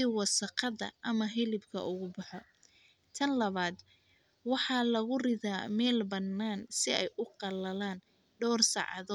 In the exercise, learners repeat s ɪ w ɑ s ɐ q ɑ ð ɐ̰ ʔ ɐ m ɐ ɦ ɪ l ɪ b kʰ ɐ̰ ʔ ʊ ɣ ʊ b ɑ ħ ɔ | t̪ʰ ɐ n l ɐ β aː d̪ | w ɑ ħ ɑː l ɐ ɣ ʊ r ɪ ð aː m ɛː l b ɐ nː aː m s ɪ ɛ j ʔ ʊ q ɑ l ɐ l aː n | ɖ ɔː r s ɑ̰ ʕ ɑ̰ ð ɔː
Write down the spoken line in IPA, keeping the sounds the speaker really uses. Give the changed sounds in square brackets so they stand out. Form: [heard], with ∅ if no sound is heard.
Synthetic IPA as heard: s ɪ w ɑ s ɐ q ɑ ð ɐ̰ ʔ ɐ m ɐ ɦ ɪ l ɪ b kʰ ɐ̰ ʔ ʊ ɣ ʊ b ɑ ħ ɔ | t̪ʰ ɐ n l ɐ β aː d̪ | w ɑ ħ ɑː l ɐ ɣ ʊ r ɪ ð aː m ɛː l b ɐ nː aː [n] s ɪ ɛ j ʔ ʊ q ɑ l ɐ l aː n | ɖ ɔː r s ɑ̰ ʕ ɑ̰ ð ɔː